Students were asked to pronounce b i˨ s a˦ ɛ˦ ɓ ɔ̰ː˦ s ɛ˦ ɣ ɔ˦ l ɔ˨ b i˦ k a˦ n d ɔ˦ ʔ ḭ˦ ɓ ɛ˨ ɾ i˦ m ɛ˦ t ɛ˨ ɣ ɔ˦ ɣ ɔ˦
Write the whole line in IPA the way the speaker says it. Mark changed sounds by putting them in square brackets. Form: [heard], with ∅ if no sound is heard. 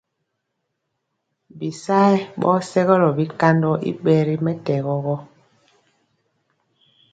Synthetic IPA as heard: b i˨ s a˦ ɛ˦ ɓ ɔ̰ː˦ s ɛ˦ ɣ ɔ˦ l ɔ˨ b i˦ k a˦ n d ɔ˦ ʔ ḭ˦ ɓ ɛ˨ ɾ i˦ m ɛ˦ t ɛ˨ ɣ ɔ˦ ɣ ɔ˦